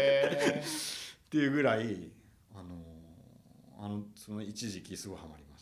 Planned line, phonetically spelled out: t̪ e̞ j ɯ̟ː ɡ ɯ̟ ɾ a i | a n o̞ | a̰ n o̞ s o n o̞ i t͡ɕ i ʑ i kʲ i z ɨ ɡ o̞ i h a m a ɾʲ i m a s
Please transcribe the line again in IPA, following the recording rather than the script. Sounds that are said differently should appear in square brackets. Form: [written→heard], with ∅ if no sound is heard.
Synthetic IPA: t̪ e̞ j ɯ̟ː ɡ ɯ̟ ɾ a i | a n o̞ | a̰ n o̞ s o n o̞ i t͡ɕ i ʑ i kʲ i [z→s] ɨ ɡ o̞ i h a m a ɾʲ i m a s